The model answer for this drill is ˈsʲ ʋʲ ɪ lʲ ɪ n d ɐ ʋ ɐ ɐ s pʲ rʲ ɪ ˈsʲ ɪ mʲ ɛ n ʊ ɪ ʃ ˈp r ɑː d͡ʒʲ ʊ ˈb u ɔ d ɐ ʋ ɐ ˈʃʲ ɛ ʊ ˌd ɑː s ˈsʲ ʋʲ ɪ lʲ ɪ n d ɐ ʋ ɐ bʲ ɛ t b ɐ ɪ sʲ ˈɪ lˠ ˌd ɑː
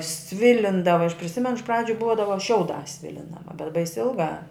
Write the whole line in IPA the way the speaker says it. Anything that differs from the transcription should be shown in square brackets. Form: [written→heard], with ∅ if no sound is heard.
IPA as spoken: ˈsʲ ʋʲ ɪ lʲ ɪ n d ɐ ʋ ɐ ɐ [s→ʃ] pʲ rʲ ɪ ˈsʲ ɪ mʲ ɛ n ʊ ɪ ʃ ˈp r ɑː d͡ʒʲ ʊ ˈb u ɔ d ɐ ʋ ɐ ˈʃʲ ɛ ʊ ˌd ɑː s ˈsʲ ʋʲ ɪ lʲ ɪ n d ɐ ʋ ɐ bʲ ɛ t b ɐ ɪ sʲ ˈɪ lˠ [ˌd→ˌɡ] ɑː